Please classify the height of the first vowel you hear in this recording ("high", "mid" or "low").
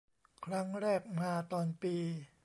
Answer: low